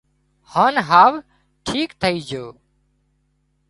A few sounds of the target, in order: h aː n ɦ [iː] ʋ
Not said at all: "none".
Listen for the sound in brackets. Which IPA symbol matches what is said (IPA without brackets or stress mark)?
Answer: aː